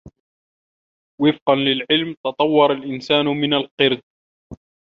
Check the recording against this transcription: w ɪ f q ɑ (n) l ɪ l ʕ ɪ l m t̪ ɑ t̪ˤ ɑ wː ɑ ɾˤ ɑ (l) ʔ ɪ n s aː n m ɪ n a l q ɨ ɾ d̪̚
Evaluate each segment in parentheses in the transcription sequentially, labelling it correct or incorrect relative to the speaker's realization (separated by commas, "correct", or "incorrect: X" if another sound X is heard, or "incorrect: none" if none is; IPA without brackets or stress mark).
correct, correct